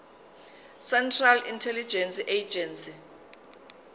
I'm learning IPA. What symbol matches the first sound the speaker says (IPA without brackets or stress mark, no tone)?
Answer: s